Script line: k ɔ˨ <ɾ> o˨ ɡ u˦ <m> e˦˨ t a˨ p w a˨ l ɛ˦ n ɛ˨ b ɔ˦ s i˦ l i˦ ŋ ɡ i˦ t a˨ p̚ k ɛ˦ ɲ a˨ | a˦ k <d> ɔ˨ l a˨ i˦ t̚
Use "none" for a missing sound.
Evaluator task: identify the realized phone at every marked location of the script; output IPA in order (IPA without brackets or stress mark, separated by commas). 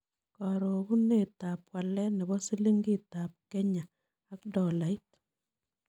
ɾ, n, d